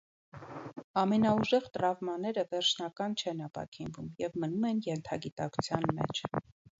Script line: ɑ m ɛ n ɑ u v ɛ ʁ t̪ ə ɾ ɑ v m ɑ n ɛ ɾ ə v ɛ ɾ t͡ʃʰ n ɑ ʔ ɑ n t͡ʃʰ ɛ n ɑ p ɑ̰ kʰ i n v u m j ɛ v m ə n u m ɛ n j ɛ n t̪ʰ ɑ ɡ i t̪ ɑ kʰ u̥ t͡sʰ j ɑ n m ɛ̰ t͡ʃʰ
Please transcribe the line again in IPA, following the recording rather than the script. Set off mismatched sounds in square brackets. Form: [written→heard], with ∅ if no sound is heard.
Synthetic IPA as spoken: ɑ m ɛ n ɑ u [v→ʒ] ɛ ʁ t̪ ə ɾ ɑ v m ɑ n ɛ ɾ ə v ɛ ɾ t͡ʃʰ n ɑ [ʔ→k] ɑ n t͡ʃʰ ɛ n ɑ p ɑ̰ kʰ i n v u m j ɛ v m ə n u m ɛ n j ɛ n t̪ʰ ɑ ɡ i t̪ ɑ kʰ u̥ t͡sʰ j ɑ n m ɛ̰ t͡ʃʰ